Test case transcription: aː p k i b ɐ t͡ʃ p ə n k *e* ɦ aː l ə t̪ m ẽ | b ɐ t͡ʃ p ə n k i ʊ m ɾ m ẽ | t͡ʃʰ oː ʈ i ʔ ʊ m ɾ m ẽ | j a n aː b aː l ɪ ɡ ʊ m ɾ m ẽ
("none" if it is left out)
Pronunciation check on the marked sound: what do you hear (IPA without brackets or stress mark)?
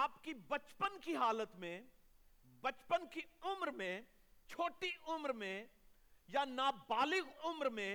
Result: i